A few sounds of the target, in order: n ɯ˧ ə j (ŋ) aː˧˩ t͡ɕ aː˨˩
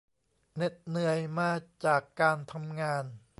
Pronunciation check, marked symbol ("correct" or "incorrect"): incorrect